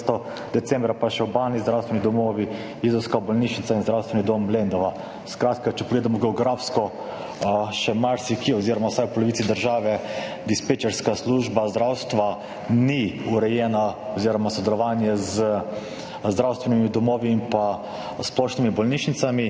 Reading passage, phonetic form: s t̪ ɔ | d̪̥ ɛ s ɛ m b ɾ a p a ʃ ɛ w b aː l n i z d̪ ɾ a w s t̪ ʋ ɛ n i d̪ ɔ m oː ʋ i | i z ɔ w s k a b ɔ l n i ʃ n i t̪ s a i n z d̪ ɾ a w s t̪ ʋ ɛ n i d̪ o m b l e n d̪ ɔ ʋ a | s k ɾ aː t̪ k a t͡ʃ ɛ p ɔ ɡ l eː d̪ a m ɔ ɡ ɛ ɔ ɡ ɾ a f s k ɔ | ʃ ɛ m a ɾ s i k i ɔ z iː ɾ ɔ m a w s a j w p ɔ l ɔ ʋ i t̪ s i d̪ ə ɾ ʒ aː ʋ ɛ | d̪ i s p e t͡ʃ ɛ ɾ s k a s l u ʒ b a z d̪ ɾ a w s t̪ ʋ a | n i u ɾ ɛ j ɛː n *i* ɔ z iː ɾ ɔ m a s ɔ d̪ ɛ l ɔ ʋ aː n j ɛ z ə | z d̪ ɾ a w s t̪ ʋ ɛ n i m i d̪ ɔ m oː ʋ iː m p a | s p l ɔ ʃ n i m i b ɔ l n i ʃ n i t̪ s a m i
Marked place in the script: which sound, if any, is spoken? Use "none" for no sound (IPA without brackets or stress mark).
a